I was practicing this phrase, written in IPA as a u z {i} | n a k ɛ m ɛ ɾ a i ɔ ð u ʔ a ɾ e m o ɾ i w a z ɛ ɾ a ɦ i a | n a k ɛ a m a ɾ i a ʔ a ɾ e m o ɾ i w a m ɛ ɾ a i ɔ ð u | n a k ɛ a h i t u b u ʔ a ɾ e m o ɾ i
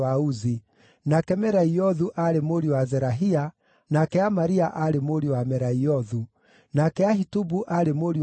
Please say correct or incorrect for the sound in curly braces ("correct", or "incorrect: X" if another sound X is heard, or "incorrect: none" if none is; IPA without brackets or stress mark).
correct